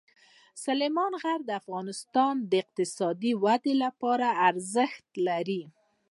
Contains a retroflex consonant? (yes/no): no